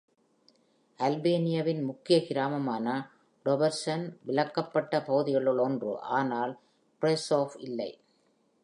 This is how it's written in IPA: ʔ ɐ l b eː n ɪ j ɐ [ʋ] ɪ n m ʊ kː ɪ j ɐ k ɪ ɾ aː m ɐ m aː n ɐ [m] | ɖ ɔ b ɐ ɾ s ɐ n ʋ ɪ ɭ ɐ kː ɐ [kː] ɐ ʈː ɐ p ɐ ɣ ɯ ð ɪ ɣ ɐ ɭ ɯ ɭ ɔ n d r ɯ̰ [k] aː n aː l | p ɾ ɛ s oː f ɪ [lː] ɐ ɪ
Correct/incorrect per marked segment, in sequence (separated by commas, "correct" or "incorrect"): correct, incorrect, incorrect, incorrect, correct